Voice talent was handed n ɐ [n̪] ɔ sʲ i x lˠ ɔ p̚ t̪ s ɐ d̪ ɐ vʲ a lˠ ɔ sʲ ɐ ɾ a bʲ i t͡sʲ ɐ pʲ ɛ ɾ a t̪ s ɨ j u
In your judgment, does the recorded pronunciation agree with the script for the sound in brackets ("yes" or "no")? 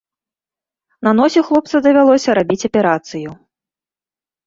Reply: yes